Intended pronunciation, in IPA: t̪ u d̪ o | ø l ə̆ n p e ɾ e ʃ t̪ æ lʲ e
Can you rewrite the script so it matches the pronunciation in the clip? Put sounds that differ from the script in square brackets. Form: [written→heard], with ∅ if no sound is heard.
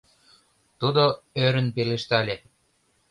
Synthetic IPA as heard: t̪ u d̪ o | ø [l→ɾ] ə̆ n p e [ɾ→l] e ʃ t̪ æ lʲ e